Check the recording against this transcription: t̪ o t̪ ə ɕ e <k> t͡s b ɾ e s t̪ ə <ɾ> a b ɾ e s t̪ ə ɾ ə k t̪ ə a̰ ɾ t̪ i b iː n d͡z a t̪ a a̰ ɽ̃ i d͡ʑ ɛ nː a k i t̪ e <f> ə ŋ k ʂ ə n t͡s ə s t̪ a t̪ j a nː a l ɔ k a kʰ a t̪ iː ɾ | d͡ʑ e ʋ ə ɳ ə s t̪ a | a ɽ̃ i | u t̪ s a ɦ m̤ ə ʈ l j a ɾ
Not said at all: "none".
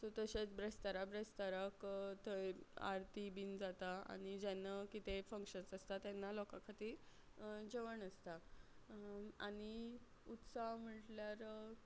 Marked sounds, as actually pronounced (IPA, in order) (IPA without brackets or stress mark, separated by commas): none, ɾ, f